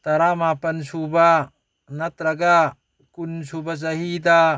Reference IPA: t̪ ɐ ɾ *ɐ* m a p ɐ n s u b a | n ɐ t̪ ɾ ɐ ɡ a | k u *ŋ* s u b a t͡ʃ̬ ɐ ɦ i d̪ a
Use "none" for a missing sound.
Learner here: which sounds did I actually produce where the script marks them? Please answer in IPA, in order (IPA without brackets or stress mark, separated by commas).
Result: a, n